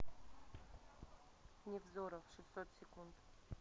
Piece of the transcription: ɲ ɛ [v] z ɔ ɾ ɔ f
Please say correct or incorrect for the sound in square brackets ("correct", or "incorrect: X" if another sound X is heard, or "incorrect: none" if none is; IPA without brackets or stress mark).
correct